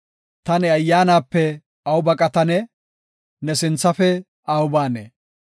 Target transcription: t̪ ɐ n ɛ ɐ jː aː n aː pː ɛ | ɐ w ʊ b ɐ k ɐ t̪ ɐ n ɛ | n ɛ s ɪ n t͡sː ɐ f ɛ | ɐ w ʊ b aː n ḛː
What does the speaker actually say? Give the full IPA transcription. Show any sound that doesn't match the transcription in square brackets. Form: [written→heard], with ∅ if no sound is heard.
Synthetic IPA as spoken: t̪ ɐ n ɛ ɐ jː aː n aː pː ɛ | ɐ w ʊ b ɐ [k→kʼ] ɐ t̪ ɐ n ɛ | n ɛ s ɪ n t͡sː ɐ f ɛ | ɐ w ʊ b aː n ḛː